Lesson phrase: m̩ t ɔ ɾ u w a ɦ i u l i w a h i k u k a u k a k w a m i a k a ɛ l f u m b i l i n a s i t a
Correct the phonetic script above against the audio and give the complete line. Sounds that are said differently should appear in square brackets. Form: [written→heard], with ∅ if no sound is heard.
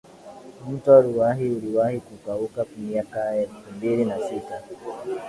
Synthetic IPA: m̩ t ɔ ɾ u w a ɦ i u l i w a h i k u k a u k a k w a m i a k a ɛ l f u m b i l i n a s i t a